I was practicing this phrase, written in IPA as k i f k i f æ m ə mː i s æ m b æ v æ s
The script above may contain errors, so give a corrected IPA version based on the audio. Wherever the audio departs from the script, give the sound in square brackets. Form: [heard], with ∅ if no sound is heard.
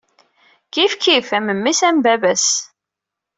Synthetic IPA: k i f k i f æ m ə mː i s æ m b æ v æ s

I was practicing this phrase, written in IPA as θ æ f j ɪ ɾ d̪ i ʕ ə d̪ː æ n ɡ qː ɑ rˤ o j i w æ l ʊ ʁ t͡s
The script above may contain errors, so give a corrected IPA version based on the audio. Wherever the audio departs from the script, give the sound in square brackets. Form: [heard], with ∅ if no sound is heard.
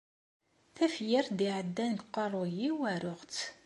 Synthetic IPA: θ æ f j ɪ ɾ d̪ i ʕ ə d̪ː æ n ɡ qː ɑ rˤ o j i w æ [ɾ] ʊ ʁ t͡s

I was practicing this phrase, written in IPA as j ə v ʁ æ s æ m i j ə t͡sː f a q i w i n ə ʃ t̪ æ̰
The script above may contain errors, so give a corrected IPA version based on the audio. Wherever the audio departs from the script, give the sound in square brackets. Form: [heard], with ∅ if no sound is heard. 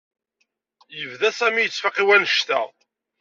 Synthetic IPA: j ə v [ð] æ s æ m i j ə t͡sː f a q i w [æ] n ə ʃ t̪ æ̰

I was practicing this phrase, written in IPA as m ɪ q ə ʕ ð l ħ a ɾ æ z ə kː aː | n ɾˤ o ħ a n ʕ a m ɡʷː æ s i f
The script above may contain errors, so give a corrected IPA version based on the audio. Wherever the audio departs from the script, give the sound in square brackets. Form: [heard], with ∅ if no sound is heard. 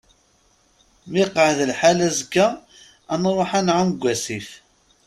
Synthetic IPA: m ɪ q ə ʕ ð l ħ a [l] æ z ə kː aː | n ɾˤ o ħ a n ʕ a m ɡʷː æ s i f

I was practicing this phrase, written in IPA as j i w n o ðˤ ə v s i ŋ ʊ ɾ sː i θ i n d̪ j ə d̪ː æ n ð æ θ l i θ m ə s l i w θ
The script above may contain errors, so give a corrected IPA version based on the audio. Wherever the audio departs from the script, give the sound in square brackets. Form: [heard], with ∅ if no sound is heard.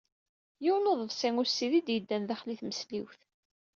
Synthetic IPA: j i w n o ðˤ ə v s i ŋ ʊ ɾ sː i [ð] i [∅] d̪ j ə d̪ː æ n ð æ [χ] l i θ m ə s l i w θ

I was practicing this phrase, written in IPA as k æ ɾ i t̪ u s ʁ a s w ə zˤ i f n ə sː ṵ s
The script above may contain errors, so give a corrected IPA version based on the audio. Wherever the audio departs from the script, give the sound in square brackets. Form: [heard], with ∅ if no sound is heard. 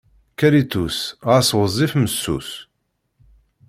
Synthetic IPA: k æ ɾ i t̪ u s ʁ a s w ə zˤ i f [m] ə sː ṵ s

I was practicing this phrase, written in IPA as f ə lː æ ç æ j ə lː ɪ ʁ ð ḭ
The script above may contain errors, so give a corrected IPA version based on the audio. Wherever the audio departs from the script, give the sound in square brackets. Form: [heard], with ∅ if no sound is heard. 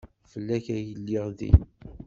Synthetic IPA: f ə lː æ ç æ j ə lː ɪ ʁ ð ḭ

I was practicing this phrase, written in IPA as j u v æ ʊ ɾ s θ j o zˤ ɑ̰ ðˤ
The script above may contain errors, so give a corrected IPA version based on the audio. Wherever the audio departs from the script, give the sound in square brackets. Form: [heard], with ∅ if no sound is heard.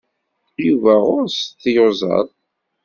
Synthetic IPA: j u v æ ʊ ɾ s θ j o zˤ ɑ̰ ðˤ

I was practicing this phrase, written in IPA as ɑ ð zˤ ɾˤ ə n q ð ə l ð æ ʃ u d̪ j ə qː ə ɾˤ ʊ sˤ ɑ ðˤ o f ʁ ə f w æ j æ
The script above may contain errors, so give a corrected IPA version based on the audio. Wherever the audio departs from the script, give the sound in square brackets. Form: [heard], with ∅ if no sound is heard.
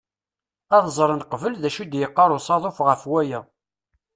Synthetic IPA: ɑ ð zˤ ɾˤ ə n q [v] ə l ð æ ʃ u d̪ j ə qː [ɑ] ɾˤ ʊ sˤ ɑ ðˤ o f ʁ ə f w æ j æ

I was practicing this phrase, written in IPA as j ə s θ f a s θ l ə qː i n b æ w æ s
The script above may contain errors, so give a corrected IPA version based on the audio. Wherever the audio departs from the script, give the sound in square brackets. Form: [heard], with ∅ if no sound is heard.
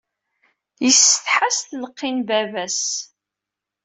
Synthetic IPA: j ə s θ [ħ] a s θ l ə qː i n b æ [v] æ s

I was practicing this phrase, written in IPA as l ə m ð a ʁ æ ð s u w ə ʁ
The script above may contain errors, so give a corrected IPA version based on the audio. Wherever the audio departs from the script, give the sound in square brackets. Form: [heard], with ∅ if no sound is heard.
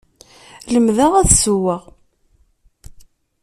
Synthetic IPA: l ə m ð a ʁ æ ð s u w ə ʁ

